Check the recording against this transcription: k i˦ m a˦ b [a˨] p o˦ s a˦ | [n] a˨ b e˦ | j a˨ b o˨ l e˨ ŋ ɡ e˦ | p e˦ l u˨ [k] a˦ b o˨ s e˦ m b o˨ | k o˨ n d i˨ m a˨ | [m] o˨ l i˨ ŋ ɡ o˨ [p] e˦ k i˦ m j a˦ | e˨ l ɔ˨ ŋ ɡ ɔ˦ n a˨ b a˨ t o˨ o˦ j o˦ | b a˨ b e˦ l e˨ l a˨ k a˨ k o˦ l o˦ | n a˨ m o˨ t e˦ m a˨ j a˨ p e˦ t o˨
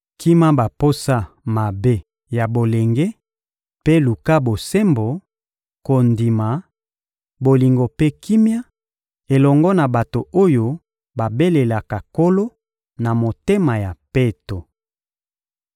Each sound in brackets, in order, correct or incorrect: correct, incorrect, correct, incorrect, correct

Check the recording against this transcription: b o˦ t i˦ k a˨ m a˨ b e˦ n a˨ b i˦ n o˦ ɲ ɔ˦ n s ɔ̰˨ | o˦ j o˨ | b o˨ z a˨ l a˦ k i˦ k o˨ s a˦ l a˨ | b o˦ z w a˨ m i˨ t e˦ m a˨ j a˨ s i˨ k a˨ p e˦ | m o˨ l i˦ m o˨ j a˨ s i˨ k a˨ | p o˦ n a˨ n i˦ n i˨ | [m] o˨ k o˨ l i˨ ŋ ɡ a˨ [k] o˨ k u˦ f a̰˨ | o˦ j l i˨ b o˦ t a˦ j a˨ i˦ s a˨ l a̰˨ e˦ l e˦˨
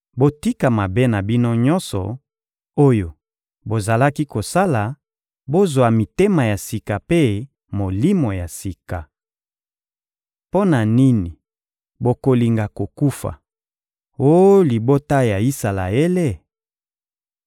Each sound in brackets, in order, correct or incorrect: incorrect, correct

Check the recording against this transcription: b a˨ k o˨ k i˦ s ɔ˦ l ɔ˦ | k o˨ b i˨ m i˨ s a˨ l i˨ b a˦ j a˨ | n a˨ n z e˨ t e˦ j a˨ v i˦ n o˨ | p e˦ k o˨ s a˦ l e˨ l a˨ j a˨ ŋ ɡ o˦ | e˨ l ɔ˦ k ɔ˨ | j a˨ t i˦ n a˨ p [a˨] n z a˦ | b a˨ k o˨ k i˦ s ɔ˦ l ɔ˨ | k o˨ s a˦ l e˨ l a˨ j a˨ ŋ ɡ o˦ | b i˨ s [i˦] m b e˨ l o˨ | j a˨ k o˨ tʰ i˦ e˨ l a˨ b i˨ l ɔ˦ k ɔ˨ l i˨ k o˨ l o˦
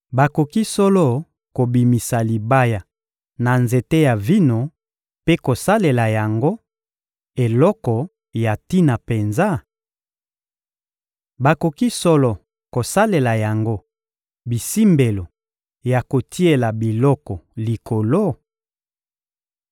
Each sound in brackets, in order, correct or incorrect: incorrect, correct

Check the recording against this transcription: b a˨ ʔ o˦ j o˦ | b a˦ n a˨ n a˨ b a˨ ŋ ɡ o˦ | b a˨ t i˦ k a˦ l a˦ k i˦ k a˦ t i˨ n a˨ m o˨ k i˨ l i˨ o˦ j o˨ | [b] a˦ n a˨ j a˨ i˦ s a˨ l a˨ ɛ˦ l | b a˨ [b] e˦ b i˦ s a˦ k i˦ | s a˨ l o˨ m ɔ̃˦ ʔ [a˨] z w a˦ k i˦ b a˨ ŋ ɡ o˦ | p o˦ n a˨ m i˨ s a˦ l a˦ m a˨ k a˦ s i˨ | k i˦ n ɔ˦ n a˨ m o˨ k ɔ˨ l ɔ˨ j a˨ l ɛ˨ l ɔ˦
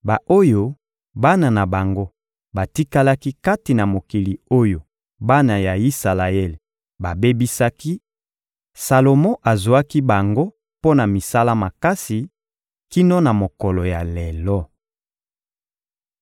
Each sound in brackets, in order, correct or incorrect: correct, correct, correct

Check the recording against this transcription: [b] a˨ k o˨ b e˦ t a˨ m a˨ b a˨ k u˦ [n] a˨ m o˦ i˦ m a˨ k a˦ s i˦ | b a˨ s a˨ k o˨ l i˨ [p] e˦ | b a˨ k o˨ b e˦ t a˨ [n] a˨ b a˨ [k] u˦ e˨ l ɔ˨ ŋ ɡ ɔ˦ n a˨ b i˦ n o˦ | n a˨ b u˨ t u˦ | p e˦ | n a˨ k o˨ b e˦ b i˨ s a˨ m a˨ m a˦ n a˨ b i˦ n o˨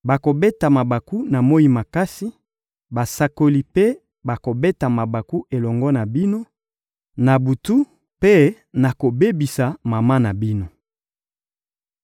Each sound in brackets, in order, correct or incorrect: correct, correct, correct, incorrect, correct

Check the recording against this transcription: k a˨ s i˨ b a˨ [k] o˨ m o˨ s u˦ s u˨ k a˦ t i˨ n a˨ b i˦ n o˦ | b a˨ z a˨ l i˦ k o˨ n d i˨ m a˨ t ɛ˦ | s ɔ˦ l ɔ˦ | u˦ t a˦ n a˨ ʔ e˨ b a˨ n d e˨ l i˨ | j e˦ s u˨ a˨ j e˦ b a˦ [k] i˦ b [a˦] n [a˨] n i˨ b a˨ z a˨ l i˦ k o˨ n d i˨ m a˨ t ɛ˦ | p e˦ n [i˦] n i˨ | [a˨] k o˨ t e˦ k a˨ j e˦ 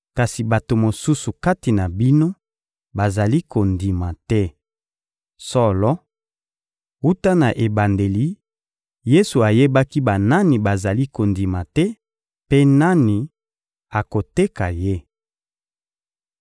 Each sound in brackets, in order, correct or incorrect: incorrect, correct, incorrect, incorrect, incorrect, correct

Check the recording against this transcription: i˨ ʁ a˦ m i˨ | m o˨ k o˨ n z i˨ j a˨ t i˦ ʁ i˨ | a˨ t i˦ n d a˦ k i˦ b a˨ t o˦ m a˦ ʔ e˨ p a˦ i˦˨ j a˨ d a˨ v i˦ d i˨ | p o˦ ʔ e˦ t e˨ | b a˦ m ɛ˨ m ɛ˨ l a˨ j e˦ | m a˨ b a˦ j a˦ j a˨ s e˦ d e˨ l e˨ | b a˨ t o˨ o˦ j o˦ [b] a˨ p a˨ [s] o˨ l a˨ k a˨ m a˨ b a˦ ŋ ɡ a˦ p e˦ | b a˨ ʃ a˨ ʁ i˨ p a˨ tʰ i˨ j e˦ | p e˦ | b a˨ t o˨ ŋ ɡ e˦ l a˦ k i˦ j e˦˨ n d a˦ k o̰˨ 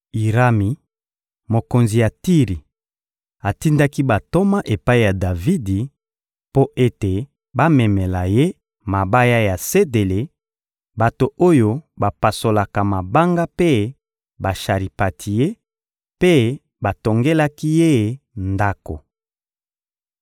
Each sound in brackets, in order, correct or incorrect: correct, correct

